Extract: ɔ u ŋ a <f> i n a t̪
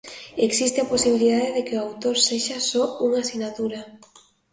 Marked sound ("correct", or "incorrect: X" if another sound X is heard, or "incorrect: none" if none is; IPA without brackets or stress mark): incorrect: s